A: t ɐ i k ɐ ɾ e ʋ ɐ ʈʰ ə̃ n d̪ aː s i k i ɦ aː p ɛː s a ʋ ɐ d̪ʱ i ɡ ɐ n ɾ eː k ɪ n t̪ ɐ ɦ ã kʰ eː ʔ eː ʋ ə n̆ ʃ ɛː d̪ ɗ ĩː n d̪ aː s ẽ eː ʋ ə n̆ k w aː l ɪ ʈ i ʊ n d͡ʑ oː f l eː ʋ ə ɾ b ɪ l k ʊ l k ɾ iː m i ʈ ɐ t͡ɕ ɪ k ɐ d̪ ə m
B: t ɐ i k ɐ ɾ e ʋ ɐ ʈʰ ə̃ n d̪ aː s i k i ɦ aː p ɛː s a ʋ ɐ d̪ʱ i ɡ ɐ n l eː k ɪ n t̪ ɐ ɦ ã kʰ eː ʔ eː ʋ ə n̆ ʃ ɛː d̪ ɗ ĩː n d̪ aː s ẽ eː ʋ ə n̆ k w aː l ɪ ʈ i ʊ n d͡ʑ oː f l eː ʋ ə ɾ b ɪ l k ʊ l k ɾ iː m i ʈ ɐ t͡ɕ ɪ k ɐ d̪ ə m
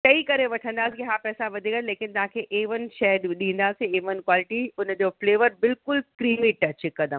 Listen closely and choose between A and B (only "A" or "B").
B